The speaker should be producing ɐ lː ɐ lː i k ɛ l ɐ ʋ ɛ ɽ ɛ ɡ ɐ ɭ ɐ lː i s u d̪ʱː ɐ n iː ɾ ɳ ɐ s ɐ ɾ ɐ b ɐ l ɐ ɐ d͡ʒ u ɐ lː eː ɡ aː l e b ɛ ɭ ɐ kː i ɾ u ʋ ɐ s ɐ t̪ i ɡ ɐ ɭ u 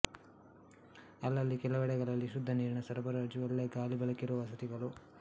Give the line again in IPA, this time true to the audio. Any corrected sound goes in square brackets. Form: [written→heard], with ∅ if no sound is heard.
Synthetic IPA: ɐ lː ɐ lː i k ɛ l ɐ ʋ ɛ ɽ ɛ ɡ ɐ ɭ ɐ lː i [s→ʃ] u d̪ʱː ɐ n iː ɾ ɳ ɐ s ɐ ɾ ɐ b ɐ [l→ɾ] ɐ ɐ d͡ʒ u ɐ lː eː ɡ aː l [e→i] b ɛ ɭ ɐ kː i ɾ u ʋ ɐ s ɐ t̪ i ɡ ɐ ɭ u